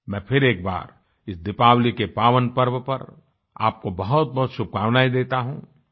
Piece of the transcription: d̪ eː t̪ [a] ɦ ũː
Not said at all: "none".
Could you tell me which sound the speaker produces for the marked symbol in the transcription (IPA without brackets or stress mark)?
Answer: a